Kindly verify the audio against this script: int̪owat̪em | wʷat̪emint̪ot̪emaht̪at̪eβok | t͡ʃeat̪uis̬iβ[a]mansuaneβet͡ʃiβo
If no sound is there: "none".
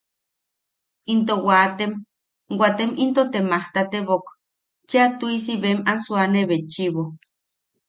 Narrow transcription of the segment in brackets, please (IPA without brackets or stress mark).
e